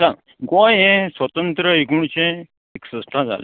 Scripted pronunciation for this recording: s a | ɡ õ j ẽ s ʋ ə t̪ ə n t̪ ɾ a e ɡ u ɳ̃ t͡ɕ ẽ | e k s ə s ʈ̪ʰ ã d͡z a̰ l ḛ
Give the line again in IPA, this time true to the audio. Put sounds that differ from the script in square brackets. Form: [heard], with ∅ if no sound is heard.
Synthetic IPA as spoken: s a | ɡ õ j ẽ s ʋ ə t̪ ə n t̪ ɾ [ə] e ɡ u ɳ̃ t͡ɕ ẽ | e k s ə s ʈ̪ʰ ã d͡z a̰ l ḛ